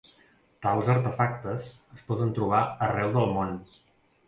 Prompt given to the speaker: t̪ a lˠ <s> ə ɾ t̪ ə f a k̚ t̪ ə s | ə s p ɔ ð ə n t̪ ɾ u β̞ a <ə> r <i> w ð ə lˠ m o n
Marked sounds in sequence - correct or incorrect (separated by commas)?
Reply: incorrect, correct, incorrect